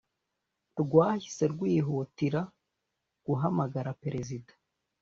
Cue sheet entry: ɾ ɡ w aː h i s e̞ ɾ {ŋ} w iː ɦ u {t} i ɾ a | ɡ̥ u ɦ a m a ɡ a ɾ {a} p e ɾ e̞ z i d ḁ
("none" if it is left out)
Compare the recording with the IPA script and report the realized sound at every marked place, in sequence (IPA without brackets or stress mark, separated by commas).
ɡ, t, a